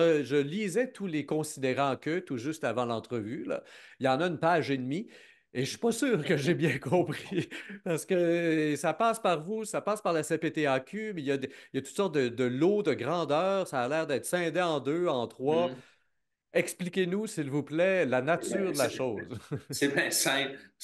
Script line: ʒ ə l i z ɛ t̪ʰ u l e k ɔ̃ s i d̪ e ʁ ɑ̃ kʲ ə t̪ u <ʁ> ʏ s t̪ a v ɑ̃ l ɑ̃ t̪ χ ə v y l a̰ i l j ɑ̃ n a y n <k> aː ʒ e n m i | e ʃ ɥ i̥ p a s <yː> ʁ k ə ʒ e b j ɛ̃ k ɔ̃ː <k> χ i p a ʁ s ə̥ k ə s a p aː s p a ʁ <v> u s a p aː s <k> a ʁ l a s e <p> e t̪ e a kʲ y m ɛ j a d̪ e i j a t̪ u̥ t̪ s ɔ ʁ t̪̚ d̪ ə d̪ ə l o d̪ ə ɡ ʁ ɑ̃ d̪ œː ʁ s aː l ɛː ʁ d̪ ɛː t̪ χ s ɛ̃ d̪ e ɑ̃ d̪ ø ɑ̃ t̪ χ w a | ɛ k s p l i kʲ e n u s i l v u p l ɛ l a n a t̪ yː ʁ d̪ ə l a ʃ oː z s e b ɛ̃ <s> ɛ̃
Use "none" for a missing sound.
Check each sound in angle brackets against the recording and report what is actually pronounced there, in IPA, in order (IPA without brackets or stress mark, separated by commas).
ʒ, p, yː, p, v, p, p, s